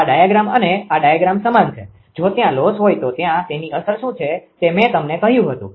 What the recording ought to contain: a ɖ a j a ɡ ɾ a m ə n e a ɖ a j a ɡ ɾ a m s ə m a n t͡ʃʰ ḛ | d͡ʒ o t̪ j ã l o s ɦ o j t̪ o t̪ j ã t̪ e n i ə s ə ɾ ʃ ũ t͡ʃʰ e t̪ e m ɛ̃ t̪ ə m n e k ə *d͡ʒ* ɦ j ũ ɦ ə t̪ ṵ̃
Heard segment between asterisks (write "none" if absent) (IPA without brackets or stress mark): none